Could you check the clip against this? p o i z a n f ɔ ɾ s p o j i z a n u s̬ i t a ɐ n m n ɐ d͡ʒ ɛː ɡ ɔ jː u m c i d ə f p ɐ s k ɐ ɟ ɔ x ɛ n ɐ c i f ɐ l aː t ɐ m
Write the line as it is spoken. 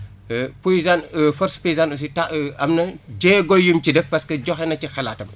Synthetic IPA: p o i z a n f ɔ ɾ s p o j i z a n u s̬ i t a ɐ m n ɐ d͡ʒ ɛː ɡ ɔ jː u m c i d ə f p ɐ s k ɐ ɟ ɔ x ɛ n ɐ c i x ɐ l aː t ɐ m